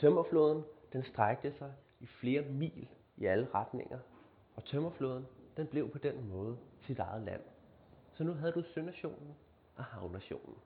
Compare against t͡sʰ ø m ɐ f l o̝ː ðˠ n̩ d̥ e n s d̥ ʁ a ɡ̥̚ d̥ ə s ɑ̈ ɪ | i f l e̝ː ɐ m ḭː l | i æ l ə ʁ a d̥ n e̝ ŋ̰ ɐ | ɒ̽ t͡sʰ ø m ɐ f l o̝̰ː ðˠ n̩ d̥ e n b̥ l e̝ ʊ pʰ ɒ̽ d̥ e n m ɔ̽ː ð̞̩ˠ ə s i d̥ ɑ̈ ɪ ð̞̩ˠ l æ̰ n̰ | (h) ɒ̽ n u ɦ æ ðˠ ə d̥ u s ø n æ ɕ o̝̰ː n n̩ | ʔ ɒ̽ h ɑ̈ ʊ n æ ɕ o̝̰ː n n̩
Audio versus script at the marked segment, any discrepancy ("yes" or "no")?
yes